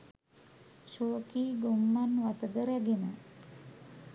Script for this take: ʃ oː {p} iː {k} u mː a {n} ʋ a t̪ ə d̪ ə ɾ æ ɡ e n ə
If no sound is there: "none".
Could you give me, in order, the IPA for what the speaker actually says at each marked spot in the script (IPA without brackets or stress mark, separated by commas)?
k, ɡ, n